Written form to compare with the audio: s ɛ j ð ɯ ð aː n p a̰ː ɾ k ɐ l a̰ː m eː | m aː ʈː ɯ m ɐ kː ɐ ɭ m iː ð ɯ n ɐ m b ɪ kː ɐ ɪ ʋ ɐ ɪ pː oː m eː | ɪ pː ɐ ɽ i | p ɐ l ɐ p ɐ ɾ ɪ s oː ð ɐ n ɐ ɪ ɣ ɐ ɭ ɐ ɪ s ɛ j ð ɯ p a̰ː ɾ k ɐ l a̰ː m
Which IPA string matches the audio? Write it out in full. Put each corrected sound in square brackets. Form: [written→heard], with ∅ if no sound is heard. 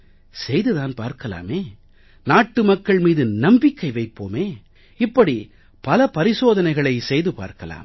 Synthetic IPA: s ɛ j ð ɯ ð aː n p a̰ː ɾ k ɐ l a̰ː m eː | [m→n] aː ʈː ɯ m ɐ kː ɐ ɭ m iː ð ɯ n ɐ m b ɪ kː ɐ ɪ ʋ ɐ ɪ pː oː m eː | ɪ pː ɐ ɽ i | p ɐ l ɐ p ɐ ɾ ɪ s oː ð ɐ n ɐ ɪ ɣ ɐ ɭ ɐ ɪ s ɛ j ð ɯ p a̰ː ɾ k ɐ l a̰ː m